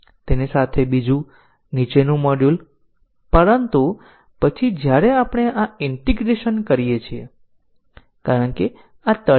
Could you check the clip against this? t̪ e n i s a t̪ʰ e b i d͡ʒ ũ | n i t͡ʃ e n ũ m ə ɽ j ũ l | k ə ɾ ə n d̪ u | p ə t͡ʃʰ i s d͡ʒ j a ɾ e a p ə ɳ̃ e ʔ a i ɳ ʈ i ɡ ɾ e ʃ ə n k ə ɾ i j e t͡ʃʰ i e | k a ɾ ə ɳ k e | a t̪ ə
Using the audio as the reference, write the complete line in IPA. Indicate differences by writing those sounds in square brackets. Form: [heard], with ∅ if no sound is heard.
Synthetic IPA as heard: t̪ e n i s a t̪ʰ e b i d͡ʒ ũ | n i t͡ʃ e n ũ m ə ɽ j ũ l | [p] ə ɾ ə n [t̪] u | p ə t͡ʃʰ i [∅] d͡ʒ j a ɾ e a p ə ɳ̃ e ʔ a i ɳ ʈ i ɡ ɾ e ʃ ə n k ə ɾ i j e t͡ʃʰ i e | k a ɾ ə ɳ k e | a t̪ ə